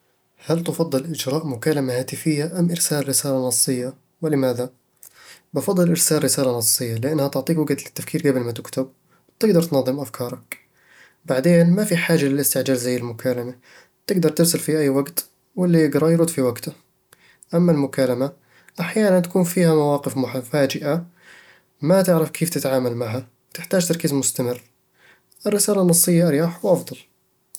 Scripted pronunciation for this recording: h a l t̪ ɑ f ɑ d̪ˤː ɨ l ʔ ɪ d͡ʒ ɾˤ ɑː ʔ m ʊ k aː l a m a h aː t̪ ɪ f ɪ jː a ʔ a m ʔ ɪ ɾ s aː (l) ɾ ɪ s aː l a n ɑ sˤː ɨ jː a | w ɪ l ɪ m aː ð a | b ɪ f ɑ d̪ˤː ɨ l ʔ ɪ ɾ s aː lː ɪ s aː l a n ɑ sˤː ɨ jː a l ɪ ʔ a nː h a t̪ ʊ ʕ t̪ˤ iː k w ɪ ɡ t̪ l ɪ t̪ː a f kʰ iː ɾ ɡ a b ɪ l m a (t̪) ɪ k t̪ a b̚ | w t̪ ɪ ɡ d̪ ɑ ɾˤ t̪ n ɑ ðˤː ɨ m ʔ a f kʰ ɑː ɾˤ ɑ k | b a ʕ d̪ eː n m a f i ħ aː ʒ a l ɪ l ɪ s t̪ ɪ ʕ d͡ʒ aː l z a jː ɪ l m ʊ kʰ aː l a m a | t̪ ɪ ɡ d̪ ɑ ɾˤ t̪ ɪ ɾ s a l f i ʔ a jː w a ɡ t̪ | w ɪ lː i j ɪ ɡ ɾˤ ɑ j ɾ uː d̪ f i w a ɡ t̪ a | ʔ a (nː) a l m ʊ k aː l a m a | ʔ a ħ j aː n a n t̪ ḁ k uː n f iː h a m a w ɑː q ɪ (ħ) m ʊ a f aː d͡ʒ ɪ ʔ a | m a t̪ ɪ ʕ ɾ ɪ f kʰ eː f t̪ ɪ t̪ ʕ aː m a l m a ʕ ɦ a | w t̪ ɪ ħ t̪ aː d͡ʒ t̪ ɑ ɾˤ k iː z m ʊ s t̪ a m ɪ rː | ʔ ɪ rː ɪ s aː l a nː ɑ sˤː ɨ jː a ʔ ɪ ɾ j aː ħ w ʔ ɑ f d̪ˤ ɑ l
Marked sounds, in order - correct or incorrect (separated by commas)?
correct, correct, incorrect, incorrect